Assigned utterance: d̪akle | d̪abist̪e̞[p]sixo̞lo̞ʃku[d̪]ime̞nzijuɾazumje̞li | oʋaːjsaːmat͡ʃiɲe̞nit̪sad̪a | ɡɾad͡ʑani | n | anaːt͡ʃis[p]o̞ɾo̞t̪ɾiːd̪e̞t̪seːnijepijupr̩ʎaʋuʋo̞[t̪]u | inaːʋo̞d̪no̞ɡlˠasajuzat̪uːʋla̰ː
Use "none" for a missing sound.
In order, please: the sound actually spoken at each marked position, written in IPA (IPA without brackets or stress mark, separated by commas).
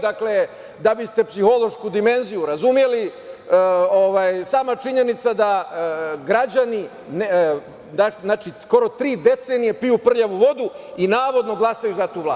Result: p, d̪, k, d̪